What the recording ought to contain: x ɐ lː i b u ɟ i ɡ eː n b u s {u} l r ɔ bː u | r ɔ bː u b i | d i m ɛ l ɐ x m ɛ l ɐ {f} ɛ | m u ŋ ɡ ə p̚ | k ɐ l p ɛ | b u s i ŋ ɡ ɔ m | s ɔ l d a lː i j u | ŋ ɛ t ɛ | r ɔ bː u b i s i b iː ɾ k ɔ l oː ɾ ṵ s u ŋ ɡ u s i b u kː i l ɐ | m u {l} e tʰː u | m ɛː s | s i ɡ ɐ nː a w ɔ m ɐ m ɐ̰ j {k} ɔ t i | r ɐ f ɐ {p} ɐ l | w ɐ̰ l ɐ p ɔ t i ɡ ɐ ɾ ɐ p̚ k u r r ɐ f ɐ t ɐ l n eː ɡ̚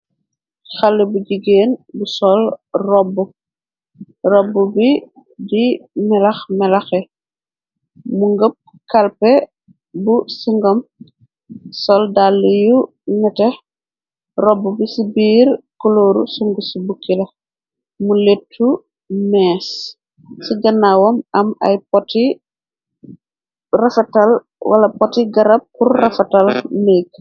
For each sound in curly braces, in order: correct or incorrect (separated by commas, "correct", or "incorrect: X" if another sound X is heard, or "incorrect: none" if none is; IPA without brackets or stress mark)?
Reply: incorrect: ɔ, incorrect: x, correct, incorrect: p, incorrect: t